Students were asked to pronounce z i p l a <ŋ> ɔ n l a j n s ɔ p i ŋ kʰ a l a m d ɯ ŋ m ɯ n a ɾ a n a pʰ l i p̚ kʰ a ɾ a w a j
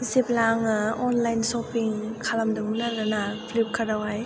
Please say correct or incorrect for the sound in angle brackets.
correct